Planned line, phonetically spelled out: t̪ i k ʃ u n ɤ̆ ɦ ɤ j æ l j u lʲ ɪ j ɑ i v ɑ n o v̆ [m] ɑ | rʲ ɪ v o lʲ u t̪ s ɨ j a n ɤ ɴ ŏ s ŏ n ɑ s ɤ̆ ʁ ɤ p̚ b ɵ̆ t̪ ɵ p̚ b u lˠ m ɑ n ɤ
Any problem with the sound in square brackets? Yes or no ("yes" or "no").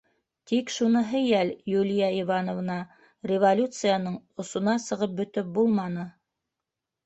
yes